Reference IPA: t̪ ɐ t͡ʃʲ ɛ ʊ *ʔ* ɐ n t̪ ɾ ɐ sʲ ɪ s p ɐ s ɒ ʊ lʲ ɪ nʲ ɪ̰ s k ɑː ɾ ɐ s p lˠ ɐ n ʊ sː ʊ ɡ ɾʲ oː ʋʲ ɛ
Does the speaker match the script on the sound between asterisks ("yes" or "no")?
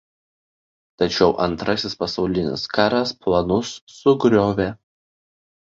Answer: yes